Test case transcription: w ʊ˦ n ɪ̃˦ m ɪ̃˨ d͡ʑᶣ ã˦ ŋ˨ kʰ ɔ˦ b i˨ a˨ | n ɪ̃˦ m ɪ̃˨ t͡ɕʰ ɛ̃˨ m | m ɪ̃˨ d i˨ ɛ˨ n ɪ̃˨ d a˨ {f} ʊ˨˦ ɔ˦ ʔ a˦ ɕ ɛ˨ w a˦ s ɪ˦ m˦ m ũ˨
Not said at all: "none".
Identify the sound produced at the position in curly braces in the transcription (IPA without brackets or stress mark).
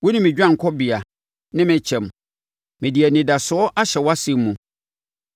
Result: s